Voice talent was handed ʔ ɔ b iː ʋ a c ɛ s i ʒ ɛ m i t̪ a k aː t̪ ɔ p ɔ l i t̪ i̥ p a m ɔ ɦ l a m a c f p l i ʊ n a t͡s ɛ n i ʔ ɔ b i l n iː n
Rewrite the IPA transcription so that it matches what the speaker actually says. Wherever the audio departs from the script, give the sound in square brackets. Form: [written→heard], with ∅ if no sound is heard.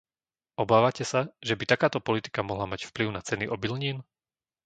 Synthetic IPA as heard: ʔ ɔ b [iː→aː] ʋ a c ɛ s [i→a] ʒ ɛ [m→b] i t̪ a k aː t̪ ɔ p ɔ l i t̪ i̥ [p→k] a m ɔ ɦ l a m a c f p l i ʊ n a t͡s ɛ n i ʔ ɔ b i l [n→ɲ] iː n